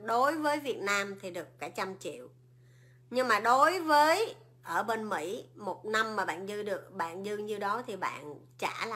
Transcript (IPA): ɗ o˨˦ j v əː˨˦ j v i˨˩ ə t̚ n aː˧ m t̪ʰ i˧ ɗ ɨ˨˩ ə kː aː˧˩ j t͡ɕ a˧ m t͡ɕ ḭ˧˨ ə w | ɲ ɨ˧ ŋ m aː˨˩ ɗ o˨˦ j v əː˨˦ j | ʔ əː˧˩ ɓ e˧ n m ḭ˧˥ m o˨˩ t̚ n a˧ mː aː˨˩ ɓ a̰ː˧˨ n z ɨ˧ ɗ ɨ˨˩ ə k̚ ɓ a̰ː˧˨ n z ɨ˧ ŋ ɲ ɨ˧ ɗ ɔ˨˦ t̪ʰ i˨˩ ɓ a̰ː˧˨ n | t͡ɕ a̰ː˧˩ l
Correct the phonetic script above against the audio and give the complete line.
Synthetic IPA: ɗ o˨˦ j v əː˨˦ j v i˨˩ ə t̚ n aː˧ m t̪ʰ i˨˩ ɗ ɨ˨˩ ə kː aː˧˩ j t͡ɕ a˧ m t͡ɕ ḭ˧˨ ə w | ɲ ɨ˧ ŋ m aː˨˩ ɗ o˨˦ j v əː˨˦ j | ʔ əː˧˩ ɓ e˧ n m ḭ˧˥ m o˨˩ t̚ n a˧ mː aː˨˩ ɓ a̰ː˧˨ n z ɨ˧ ɗ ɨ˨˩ ə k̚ ɓ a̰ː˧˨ n z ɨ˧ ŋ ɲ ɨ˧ ɗ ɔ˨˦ t̪ʰ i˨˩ ɓ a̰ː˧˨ n | t͡ɕ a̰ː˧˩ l